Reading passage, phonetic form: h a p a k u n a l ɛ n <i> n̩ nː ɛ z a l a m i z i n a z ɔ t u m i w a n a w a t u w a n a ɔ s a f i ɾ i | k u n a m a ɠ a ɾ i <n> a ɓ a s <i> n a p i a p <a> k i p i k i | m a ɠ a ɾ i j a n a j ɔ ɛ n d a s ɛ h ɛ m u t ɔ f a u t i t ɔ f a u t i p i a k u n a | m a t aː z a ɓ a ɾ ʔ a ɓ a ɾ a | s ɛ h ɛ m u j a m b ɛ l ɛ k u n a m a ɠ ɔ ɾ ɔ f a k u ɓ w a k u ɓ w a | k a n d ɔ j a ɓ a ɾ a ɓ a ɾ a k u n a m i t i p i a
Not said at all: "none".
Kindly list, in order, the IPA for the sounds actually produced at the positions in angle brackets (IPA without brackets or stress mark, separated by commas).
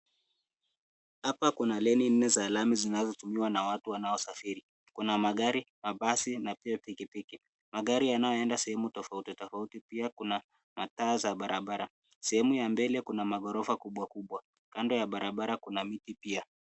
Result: i, m, i, i